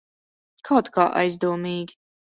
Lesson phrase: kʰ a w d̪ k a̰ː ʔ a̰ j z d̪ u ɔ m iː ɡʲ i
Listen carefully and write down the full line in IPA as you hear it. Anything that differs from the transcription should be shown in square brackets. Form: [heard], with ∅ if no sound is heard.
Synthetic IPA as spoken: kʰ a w [t̪] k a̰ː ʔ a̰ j z d̪ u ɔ m iː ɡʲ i